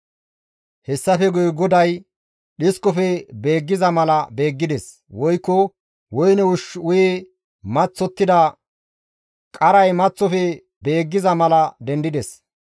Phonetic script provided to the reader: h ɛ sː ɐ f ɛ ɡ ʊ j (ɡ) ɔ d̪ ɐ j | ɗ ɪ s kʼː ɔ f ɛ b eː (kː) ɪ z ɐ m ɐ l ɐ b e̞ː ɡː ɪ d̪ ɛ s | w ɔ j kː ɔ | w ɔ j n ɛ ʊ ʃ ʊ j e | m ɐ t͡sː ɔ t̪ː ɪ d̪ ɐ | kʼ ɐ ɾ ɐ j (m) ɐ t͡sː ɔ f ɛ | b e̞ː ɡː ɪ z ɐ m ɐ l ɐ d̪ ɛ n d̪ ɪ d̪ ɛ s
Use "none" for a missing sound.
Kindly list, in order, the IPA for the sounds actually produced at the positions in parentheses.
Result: ɡ, ɡː, m

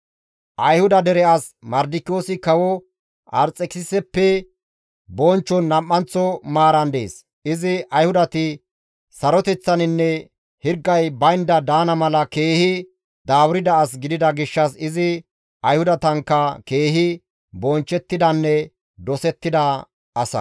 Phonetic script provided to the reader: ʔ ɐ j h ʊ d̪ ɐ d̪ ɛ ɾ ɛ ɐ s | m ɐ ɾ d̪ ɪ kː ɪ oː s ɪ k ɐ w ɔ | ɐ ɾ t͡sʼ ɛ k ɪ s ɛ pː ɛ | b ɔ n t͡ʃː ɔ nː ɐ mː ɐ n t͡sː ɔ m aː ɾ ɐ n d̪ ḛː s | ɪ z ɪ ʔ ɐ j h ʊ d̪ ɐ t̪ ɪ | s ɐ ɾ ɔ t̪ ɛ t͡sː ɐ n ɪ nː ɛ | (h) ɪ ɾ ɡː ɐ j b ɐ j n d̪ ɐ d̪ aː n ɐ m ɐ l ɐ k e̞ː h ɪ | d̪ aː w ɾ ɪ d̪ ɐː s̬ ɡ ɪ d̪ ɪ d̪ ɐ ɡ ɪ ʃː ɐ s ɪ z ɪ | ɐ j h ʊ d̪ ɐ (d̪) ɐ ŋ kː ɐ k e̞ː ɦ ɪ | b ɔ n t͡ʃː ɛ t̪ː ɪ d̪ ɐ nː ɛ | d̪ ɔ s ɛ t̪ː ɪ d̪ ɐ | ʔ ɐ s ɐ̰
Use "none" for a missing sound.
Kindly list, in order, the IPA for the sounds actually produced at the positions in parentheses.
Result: h, t̪

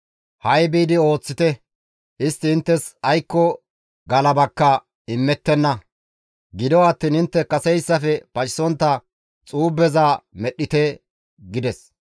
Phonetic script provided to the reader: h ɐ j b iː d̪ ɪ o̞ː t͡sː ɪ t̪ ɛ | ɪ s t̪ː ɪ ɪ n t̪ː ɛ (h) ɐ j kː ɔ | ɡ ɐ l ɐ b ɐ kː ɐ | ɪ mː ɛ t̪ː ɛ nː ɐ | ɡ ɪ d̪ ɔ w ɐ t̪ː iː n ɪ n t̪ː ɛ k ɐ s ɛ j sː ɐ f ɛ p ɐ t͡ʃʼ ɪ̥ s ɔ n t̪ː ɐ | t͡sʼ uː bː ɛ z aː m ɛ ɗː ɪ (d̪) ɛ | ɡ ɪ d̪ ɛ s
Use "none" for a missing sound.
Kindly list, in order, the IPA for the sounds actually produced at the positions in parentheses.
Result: s, t̪

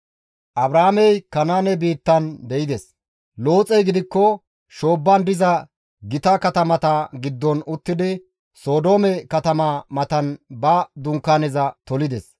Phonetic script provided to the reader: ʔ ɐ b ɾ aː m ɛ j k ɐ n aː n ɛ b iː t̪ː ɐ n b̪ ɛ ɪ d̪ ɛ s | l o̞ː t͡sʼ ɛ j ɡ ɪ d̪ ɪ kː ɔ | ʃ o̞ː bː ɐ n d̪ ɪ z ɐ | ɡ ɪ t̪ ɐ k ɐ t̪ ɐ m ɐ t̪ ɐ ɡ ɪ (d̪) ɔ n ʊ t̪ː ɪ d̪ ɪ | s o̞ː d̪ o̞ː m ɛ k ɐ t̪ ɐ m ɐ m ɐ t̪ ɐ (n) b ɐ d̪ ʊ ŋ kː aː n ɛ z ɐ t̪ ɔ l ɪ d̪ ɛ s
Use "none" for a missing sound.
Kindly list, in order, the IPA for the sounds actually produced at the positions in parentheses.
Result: d̪ː, n

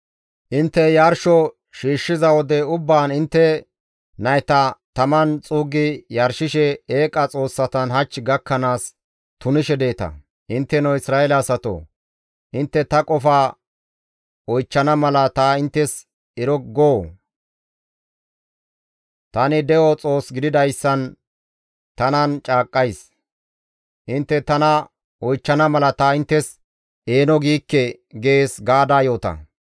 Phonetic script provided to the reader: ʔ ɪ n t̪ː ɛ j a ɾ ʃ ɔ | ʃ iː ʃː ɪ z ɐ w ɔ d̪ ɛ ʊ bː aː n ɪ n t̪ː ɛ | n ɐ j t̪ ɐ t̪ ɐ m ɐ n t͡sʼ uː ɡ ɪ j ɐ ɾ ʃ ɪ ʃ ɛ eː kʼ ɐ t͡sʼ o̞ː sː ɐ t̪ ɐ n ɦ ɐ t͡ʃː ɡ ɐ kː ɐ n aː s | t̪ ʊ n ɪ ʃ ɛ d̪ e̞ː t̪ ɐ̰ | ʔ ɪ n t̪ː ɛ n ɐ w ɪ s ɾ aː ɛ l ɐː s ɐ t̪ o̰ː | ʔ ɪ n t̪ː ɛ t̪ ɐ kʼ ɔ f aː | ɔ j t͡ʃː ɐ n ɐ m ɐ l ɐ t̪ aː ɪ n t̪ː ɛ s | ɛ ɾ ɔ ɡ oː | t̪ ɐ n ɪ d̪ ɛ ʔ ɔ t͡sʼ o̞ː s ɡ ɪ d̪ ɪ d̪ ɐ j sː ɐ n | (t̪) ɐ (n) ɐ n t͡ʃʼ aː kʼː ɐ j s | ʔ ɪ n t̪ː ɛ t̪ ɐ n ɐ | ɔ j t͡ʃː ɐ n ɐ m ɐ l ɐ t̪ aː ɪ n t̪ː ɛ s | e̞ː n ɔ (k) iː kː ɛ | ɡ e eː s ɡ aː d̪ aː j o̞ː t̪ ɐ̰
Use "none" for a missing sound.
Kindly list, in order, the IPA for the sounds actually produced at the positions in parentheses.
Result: t̪, n, ɡ

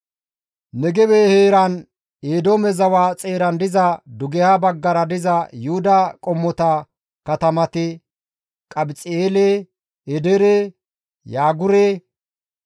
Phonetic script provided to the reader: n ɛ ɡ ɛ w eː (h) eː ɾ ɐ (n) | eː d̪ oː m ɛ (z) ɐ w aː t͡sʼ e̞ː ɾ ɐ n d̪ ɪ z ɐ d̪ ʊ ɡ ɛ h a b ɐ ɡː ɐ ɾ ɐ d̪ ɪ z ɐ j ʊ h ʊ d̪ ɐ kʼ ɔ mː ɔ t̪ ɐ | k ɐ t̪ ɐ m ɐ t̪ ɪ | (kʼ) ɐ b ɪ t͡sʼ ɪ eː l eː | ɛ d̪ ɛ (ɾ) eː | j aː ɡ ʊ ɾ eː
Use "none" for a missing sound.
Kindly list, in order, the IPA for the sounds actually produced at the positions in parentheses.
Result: h, n, z, kʼ, ɾ

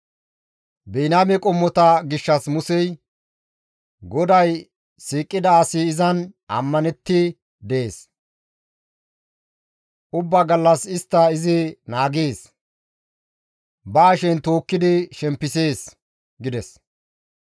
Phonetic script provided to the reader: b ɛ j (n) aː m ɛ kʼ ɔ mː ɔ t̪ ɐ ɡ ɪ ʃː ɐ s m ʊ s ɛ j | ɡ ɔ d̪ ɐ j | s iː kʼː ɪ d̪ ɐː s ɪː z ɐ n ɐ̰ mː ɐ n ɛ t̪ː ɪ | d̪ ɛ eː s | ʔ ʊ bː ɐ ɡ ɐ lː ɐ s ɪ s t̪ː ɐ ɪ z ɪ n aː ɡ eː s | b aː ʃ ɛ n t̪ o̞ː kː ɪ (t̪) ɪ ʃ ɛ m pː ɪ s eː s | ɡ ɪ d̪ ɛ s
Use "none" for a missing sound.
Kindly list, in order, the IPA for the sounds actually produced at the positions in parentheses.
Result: n, d̪

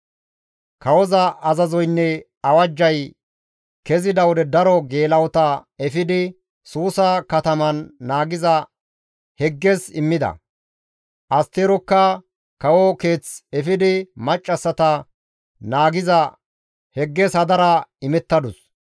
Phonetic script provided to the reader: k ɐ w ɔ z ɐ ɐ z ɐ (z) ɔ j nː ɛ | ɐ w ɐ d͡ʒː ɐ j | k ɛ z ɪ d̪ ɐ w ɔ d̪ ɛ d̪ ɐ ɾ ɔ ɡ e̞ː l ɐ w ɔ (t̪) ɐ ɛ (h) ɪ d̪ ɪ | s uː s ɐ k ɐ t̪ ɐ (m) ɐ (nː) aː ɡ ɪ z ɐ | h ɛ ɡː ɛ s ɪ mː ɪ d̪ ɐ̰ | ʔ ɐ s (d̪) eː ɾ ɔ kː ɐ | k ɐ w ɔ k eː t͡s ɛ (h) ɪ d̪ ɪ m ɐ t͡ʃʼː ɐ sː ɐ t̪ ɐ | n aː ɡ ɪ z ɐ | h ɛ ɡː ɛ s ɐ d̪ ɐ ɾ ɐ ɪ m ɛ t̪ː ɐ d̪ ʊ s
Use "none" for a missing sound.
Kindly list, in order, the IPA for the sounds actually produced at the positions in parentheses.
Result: z, t̪, f, m, nː, t̪, f

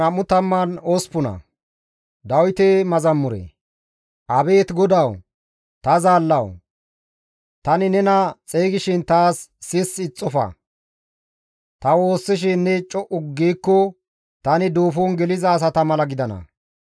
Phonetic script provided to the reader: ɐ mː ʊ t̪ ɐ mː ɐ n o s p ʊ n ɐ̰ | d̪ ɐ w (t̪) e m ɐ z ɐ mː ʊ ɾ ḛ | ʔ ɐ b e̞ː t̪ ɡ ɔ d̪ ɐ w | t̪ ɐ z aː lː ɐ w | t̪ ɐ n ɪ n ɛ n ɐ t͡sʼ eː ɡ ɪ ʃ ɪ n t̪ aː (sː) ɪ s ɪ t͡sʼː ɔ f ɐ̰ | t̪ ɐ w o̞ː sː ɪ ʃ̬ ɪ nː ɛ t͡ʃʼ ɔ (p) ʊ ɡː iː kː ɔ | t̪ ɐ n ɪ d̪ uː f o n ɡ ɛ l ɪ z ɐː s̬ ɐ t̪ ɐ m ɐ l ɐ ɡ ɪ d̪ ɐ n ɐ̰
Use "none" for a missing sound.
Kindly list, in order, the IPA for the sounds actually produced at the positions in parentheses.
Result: t̪, sː, ʔ

